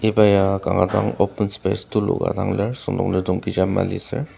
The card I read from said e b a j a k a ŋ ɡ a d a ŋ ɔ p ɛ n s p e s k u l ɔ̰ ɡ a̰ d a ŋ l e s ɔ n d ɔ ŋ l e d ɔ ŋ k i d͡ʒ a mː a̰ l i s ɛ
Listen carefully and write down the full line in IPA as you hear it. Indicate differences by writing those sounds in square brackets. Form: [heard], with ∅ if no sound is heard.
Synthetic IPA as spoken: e b a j a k a ŋ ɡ a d a ŋ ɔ p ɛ n s p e s [t] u l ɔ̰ ɡ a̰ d a ŋ l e s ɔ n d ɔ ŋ l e d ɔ ŋ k i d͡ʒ a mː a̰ l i s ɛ